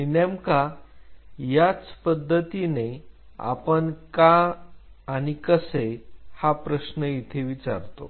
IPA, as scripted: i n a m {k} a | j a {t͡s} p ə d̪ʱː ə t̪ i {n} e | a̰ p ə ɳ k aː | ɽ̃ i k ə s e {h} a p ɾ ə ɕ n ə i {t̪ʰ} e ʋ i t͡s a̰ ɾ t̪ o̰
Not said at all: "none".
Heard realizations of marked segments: k, t͡s, n, h, t̪ʰ

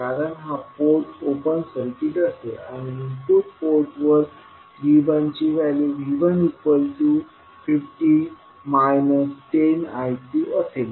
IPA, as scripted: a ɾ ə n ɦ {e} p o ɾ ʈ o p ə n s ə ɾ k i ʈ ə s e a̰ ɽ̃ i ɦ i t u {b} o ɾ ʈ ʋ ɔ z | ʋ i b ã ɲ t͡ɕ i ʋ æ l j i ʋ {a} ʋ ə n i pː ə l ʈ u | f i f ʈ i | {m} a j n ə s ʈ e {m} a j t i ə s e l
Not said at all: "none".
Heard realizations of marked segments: a, p, i, m, n

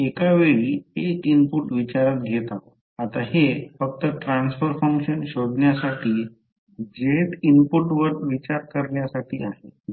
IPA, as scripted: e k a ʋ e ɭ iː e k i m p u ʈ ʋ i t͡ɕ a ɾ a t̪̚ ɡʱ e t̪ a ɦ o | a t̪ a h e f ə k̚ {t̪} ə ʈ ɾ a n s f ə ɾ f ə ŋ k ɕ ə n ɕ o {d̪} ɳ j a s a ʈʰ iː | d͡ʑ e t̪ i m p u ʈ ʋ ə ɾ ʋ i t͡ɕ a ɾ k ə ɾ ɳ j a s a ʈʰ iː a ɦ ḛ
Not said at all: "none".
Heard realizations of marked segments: t̪, d̪

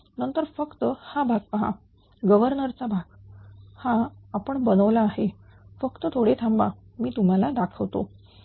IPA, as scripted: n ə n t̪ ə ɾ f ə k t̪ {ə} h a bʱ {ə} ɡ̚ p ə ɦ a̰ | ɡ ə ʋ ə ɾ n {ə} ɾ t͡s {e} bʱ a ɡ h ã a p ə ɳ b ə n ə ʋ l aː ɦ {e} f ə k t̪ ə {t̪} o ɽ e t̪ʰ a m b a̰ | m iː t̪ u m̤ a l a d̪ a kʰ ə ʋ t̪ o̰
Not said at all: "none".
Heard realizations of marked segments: ə, a, ə, a, e, t̪ʰ

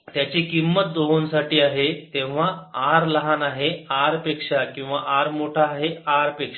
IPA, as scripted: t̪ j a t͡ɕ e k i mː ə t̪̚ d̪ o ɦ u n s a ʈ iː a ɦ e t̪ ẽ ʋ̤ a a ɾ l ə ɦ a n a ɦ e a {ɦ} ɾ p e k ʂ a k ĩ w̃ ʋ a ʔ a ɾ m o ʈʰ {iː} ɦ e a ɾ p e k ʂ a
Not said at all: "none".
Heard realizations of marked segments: none, aː

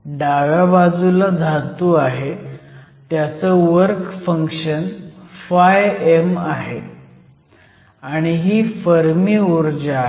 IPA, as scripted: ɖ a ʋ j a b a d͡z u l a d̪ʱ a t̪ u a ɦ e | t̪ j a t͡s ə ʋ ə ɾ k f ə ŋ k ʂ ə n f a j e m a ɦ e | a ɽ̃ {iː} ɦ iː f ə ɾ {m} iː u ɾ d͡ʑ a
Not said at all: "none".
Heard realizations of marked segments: i, m

